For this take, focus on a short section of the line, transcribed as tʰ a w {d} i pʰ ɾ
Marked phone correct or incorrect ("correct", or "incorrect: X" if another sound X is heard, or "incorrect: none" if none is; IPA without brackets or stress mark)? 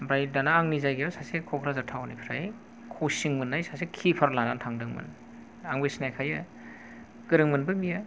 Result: incorrect: n